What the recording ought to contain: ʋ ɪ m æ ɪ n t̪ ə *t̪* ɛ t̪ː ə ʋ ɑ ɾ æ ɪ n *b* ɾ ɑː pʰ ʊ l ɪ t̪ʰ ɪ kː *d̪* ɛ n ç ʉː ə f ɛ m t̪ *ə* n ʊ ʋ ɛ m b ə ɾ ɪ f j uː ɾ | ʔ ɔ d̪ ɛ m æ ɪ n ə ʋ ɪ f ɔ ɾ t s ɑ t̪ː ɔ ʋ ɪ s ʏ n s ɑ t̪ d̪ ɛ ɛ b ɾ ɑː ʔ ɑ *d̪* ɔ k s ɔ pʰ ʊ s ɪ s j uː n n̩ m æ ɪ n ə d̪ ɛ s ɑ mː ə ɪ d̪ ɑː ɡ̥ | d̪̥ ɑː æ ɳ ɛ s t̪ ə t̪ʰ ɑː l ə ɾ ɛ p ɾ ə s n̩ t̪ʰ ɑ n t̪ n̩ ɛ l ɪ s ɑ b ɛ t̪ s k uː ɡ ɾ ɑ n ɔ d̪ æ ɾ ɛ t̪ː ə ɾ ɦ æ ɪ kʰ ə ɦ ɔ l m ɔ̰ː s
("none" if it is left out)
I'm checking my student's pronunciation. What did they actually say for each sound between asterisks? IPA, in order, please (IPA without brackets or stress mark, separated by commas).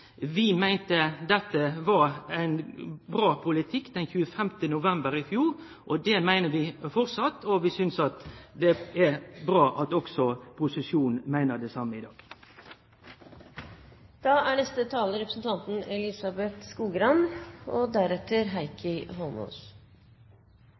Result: d̪, b, d̪, ə, t̪